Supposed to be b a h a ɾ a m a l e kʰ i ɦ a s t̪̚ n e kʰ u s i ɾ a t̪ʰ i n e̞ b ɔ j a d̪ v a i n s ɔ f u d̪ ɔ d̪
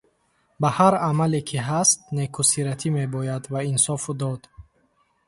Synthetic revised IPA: b a h a ɾ a m a l e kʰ i ɦ a s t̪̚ n e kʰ u s i ɾ a t̪ʰ i m e̞ b ɔ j a d̪ v a i n s ɔ f u d̪ ɔ d̪